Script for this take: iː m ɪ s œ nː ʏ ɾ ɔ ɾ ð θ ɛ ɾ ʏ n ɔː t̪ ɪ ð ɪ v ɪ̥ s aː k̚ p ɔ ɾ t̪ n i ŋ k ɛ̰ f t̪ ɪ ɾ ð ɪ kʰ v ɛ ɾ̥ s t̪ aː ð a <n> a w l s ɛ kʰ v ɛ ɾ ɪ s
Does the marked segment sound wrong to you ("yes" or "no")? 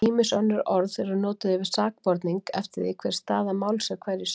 yes